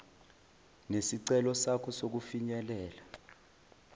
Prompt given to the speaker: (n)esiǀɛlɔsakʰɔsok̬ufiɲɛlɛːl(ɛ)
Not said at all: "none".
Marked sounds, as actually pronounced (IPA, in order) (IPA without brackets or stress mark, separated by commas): n, a